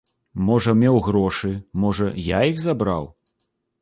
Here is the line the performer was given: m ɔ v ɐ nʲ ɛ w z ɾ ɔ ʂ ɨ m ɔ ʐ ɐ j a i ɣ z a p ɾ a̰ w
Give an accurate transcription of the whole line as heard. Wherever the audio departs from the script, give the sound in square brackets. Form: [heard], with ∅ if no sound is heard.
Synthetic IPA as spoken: m ɔ [ʐ] ɐ [mʲ] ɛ w [ɣ] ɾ ɔ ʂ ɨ m ɔ ʐ ɐ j a i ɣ z a [b] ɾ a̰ w